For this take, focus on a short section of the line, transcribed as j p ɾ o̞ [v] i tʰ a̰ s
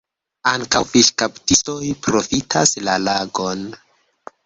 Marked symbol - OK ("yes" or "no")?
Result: no